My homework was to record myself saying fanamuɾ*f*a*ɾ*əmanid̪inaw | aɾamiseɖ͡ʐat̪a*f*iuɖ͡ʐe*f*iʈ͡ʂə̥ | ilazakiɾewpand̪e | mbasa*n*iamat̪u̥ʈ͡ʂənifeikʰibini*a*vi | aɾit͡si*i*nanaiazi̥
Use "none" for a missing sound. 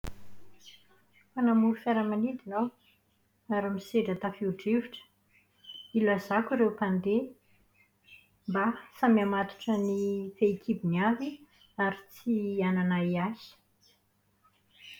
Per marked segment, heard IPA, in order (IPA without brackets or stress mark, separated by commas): f, ɾ, f, v, m, a, a